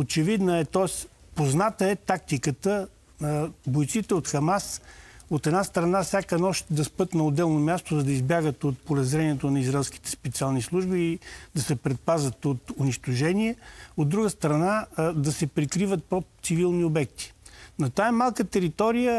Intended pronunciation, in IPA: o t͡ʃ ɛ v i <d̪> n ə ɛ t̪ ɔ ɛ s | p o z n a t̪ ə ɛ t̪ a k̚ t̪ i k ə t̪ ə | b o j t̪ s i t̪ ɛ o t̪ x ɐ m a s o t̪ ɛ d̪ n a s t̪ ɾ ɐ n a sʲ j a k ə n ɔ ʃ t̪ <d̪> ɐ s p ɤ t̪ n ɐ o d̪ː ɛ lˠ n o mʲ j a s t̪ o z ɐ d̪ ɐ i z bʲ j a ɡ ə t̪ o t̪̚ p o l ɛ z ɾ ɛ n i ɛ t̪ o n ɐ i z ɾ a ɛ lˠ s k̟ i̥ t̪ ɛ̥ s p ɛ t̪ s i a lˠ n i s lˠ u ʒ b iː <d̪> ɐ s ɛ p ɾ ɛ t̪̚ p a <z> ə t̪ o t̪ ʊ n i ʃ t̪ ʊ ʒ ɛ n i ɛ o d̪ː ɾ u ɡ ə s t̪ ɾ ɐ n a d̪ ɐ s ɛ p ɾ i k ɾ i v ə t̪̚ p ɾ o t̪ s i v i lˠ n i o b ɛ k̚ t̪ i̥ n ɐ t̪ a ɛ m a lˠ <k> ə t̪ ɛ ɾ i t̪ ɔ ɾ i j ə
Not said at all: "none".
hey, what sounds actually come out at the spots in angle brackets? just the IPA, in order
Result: d̪, d̪, d̪, z, k

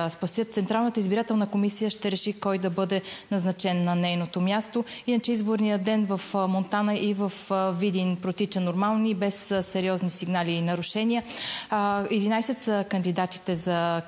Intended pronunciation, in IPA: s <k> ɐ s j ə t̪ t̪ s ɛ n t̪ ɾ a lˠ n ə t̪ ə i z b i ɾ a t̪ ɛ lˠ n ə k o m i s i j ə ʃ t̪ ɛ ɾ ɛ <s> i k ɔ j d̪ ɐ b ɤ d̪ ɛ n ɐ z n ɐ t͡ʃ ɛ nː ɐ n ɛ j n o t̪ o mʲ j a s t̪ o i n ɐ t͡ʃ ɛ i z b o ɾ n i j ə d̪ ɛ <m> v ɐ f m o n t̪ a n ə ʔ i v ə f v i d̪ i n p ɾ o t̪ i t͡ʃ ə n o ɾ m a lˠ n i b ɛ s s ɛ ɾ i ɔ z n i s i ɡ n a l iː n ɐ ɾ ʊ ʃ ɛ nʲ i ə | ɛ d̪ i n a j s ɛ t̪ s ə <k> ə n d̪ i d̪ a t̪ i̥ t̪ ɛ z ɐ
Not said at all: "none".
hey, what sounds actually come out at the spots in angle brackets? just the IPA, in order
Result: p, ʃ, n, k

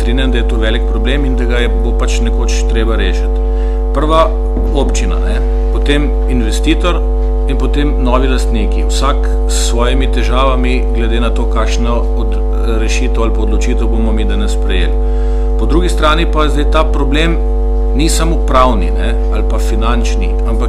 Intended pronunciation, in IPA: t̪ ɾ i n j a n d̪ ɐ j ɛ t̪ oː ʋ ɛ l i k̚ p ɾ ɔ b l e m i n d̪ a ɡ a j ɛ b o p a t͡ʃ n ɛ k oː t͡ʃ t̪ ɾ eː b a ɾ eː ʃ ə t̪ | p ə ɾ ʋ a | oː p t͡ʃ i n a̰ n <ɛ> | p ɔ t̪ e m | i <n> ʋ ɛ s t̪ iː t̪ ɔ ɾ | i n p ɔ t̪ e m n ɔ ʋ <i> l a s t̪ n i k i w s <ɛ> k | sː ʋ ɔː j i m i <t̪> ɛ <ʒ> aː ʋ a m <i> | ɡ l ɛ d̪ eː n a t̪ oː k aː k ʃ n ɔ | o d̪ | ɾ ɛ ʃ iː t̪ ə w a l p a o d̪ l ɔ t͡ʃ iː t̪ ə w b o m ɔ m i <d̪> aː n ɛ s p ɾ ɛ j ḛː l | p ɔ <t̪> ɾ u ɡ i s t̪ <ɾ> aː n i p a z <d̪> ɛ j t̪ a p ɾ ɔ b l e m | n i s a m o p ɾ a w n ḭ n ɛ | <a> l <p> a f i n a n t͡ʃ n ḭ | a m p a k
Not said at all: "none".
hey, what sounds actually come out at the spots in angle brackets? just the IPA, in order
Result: ɛ, n, i, a, t̪, ʒ, i, d̪, d̪, ɾ, d̪, a, p

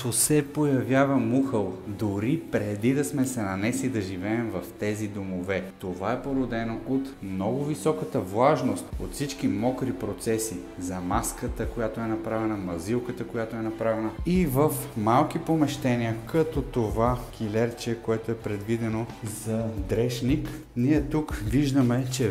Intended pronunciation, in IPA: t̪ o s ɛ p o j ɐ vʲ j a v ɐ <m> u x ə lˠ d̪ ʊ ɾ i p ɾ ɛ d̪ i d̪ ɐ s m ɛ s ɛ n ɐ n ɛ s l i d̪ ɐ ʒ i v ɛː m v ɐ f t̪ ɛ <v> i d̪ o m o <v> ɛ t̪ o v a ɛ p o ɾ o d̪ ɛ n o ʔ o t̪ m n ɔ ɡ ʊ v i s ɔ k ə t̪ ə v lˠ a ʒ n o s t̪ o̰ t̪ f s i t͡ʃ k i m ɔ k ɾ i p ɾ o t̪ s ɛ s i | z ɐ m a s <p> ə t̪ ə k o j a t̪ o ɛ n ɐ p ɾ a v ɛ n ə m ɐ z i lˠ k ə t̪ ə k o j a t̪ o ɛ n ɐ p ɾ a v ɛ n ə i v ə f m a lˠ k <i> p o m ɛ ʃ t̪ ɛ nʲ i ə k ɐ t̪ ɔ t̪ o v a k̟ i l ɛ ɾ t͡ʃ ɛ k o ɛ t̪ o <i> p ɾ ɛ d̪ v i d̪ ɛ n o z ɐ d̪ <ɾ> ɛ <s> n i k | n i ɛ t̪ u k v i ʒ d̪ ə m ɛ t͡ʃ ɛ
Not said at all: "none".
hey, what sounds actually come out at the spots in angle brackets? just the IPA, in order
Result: m, z, v, k, i, ɛ, ɾ, ʃ

